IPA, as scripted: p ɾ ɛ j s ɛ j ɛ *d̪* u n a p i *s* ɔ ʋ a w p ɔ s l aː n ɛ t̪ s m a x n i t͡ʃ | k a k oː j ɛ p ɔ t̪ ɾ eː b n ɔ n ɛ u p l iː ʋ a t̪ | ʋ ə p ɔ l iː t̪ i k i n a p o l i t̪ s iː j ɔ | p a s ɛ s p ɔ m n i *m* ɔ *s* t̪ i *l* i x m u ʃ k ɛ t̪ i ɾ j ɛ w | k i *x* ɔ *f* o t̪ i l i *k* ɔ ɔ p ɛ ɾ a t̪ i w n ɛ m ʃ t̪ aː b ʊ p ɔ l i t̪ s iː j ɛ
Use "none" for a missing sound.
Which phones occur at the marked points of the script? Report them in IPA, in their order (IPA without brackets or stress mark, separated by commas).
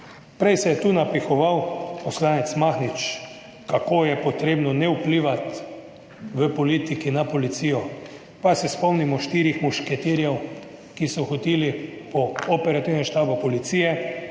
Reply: t̪, x, m, ʃ, ɾ, s, x, p